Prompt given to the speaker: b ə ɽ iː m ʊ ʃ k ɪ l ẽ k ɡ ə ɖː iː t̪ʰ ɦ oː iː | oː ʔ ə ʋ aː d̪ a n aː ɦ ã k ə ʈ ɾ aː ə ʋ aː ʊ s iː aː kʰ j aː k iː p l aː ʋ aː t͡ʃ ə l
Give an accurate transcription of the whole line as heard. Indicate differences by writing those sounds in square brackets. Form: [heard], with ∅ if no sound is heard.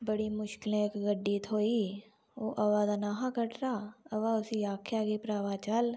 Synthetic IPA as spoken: b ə ɽ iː m ʊ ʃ k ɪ l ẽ k ɡ ə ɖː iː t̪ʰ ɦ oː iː | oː ʔ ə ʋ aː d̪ a n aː ɦ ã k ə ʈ ɾ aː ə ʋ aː ʊ s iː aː kʰ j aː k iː p [ɾ] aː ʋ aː t͡ʃ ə l